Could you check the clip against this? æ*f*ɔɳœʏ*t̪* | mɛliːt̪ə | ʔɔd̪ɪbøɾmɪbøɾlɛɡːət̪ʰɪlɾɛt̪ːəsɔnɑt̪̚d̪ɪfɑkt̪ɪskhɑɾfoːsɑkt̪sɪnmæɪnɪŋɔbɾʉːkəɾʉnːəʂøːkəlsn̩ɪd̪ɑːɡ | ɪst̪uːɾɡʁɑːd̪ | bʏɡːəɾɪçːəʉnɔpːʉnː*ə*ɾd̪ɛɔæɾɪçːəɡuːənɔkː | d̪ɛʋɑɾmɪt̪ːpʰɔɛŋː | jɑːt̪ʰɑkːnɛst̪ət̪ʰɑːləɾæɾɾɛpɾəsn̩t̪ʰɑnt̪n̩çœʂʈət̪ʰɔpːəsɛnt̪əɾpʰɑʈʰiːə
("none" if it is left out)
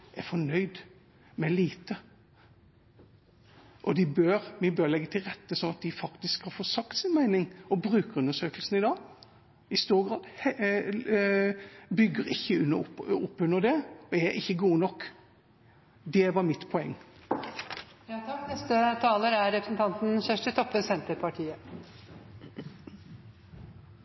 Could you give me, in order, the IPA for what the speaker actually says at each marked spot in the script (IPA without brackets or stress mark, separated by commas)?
f, d̪, ə